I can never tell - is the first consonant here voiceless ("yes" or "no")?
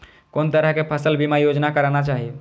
yes